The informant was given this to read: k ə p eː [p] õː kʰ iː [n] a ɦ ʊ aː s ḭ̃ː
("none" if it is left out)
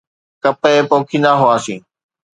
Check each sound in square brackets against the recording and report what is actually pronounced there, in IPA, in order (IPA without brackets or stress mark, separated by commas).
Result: p, n